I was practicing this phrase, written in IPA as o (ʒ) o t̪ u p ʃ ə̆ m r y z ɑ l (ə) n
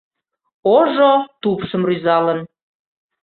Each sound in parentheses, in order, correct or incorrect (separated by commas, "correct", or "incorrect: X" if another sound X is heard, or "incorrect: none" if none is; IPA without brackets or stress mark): correct, correct